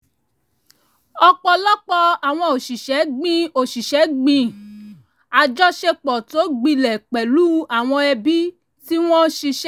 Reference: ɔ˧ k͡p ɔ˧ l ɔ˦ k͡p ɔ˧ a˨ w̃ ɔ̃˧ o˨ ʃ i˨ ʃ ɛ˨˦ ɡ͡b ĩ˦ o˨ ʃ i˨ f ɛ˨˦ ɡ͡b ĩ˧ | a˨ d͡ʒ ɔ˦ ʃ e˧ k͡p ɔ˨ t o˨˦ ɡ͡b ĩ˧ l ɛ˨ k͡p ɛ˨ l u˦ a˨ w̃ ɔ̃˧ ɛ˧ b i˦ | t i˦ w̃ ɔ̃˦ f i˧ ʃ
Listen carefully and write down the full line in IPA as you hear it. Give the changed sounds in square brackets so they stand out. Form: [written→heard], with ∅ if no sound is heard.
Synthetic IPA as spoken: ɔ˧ k͡p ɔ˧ l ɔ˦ k͡p ɔ˧ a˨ w̃ ɔ̃˧ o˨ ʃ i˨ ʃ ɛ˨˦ ɡ͡b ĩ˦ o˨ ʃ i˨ [f→ʃ] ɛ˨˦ ɡ͡b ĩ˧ | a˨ d͡ʒ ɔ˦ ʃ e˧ k͡p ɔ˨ t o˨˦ ɡ͡b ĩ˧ l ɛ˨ k͡p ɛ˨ l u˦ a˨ w̃ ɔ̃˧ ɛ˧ b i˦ | t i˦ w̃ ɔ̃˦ [f→ʃ] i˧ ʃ

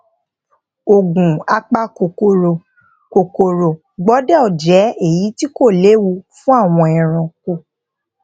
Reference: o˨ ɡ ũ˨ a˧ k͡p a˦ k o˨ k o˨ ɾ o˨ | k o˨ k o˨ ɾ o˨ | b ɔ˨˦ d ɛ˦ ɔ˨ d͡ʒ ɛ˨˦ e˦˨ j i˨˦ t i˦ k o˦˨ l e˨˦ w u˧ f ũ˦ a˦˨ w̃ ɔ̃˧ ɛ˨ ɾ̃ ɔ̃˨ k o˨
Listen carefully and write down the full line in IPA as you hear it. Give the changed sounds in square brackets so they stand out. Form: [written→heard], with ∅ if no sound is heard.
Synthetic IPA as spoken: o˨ ɡ ũ˨ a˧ k͡p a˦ k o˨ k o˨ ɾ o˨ | k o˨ k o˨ ɾ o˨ | [b→ɡ͡b] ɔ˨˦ d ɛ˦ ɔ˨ d͡ʒ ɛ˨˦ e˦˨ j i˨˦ t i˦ k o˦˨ l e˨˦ w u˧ f ũ˦ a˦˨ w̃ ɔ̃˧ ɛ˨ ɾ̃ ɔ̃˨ k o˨

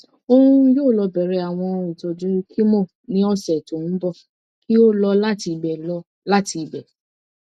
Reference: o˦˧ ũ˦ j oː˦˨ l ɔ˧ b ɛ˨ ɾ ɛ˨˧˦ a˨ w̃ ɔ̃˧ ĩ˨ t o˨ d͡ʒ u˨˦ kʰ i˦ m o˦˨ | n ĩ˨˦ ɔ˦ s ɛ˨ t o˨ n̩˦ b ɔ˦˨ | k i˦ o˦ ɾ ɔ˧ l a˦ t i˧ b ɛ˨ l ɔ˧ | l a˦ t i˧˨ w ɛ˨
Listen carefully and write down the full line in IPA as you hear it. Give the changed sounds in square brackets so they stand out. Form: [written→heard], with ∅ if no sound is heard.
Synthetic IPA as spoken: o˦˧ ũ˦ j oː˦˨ l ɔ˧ b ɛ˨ ɾ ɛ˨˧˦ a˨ w̃ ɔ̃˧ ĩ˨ t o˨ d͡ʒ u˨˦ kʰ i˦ m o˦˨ | n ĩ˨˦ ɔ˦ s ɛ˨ t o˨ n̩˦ b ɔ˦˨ | k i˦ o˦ [ɾ→l] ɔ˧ l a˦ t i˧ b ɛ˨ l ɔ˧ | l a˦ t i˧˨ [w→b] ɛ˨

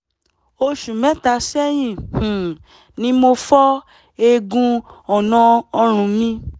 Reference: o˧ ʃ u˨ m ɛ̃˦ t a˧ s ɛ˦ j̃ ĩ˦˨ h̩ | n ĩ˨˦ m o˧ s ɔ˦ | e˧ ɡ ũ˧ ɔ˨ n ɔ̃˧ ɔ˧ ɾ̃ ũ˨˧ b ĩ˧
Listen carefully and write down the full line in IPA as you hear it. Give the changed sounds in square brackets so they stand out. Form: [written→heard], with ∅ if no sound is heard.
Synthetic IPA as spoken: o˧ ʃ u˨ m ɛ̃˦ t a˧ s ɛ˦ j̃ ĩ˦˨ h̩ | n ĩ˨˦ m o˧ [s→f] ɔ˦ | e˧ ɡ ũ˧ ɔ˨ n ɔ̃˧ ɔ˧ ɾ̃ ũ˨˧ [b→m] ĩ˧

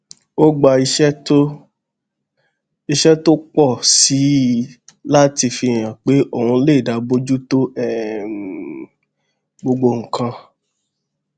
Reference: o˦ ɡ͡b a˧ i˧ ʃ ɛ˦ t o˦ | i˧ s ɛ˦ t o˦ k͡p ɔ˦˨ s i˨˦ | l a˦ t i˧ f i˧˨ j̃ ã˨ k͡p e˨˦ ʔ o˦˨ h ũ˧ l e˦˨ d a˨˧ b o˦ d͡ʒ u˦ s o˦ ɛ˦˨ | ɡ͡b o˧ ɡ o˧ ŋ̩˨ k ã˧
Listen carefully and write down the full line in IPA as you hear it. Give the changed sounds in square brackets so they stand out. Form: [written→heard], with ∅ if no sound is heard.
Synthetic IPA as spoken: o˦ ɡ͡b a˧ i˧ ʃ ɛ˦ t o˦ | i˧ [s→ʃ] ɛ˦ t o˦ k͡p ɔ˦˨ s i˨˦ | l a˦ t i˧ f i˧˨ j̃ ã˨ k͡p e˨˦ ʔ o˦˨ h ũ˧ l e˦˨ d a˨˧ b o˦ d͡ʒ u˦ [s→t] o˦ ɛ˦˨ | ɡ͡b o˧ [ɡ→ɡ͡b] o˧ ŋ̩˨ k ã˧

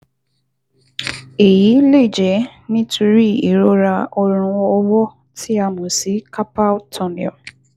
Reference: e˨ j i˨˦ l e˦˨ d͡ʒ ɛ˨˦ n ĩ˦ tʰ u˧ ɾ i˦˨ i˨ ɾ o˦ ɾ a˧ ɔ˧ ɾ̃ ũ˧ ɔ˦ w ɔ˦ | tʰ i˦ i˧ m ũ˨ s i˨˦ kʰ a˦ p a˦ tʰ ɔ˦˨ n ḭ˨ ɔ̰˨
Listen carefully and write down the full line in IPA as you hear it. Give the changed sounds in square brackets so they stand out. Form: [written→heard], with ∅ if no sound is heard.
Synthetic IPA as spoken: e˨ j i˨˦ l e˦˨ d͡ʒ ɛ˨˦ n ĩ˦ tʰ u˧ ɾ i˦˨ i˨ ɾ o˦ ɾ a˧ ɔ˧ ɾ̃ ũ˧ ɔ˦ w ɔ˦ | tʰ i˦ [i˧→a˧] m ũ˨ s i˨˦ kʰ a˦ p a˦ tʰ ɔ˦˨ n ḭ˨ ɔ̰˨

